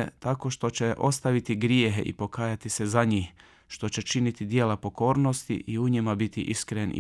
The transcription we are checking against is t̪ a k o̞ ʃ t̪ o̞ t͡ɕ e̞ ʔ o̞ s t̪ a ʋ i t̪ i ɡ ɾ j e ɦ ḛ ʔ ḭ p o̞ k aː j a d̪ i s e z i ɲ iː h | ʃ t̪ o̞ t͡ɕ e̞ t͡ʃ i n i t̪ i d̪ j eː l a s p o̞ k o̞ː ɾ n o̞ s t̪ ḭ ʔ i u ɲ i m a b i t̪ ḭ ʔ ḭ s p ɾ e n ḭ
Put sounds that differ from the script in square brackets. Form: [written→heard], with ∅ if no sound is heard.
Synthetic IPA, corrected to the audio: t̪ a k o̞ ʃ t̪ o̞ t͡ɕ e̞ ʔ o̞ s t̪ a ʋ i t̪ i ɡ ɾ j e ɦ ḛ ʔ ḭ p o̞ k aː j a [d̪→t̪] i s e z [i→a] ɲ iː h | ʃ t̪ o̞ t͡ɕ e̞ t͡ʃ i n i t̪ i d̪ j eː l a [s→∅] p o̞ k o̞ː ɾ n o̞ s t̪ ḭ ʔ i u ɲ i m a b i t̪ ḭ ʔ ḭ s [p→k] ɾ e n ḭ